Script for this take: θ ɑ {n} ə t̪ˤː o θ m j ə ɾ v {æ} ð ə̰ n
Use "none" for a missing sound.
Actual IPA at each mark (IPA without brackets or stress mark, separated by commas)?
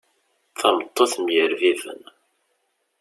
m, i